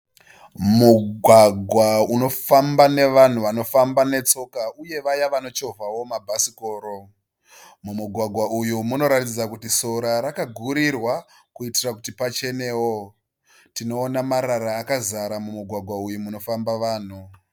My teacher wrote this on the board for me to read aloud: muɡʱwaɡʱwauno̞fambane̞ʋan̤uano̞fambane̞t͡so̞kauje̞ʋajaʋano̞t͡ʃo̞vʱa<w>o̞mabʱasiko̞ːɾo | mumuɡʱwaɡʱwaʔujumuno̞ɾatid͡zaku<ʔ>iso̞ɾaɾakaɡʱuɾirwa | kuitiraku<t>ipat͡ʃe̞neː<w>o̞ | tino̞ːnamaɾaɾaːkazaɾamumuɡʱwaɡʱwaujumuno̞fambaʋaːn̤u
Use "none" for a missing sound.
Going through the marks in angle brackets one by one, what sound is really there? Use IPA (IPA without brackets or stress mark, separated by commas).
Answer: w, t, t, w